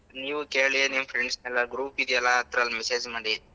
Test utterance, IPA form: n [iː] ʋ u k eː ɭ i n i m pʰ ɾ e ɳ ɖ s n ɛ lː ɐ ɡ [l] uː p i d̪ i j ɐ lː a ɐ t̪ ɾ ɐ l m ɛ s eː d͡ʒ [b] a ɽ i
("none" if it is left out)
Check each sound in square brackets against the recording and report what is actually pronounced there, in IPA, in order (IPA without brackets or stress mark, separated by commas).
iː, ɾ, m